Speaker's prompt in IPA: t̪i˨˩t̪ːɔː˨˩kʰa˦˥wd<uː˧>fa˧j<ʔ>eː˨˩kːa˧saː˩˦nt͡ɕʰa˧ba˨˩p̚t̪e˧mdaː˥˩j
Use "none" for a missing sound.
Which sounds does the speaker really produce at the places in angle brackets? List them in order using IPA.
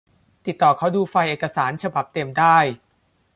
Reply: uː˧, ʔ

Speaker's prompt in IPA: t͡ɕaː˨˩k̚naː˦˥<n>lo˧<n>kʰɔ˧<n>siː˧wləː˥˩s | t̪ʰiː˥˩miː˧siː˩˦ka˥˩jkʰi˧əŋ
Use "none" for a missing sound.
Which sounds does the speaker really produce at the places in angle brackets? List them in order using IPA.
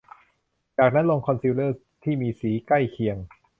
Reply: n, ŋ, n

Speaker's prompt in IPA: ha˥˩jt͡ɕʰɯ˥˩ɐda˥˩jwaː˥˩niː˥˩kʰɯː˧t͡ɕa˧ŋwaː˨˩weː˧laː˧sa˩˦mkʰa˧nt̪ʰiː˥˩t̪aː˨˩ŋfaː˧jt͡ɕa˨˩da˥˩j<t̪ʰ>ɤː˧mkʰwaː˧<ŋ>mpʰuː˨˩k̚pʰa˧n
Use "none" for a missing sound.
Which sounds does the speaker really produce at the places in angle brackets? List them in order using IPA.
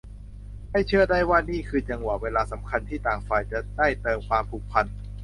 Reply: t̪, none

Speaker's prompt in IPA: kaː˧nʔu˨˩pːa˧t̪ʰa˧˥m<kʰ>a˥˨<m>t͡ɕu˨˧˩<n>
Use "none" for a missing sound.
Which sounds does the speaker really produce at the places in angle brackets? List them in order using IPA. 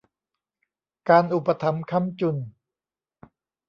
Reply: kʰ, m, n

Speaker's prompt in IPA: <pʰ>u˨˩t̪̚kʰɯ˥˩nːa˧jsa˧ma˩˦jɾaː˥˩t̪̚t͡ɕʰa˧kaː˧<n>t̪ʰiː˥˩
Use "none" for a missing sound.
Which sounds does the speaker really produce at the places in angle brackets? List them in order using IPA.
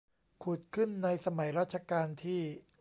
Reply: kʰ, n

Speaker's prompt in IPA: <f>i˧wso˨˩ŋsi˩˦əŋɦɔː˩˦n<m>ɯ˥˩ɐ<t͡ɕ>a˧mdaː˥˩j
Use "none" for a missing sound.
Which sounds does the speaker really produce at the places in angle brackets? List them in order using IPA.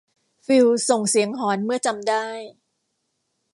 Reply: f, m, t͡ɕ

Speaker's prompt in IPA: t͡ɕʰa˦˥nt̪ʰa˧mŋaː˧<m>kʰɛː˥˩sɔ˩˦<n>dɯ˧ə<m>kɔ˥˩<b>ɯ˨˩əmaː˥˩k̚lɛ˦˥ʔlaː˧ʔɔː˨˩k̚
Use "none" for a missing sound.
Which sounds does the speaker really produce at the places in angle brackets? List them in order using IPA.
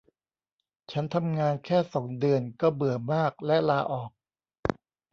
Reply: n, ŋ, n, b

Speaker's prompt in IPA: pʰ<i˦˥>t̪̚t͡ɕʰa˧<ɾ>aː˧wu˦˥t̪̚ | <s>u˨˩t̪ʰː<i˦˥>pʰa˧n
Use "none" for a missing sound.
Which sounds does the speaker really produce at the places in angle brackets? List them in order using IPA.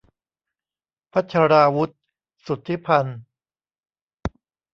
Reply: a˦˥, ɾ, s, i˦˥

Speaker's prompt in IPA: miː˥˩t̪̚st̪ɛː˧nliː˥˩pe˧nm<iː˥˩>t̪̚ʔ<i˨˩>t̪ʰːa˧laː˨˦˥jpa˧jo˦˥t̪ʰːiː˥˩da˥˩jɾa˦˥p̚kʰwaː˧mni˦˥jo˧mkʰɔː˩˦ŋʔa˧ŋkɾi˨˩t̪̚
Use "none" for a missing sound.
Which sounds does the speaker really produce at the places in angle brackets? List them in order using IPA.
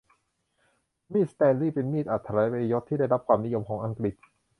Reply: iː˥˩, a˨˩

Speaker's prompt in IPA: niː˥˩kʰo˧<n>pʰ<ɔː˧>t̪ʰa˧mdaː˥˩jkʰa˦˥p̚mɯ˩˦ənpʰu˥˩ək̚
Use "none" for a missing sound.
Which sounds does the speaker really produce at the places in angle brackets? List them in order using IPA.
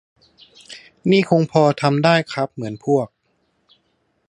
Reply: ŋ, ɔː˧

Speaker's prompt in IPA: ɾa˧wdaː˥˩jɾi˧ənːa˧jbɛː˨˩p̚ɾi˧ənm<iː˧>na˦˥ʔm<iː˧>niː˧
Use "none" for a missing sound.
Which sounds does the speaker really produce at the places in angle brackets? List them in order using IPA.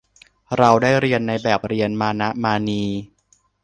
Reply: aː˧, aː˧

